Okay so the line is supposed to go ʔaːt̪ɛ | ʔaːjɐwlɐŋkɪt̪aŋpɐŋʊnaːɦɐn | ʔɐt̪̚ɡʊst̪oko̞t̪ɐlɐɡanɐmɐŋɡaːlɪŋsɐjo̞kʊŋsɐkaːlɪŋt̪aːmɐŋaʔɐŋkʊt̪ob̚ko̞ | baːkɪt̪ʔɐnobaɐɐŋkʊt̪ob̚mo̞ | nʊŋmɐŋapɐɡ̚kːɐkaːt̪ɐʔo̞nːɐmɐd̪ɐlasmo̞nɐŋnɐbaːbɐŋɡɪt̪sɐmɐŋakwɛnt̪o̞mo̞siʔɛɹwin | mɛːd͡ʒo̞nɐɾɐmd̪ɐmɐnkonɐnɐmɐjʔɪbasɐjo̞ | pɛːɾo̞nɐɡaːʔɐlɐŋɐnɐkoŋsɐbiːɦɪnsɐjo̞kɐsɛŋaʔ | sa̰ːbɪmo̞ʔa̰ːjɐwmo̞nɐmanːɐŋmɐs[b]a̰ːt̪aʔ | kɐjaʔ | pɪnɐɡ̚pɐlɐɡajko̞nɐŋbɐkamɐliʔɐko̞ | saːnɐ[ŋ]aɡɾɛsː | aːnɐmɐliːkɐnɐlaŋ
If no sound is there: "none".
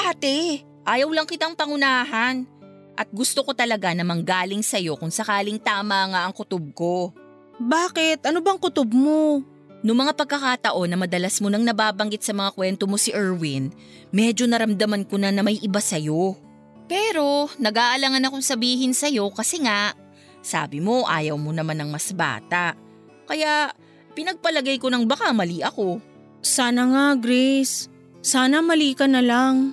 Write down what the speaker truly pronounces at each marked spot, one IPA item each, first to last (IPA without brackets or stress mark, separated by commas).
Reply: b, ŋ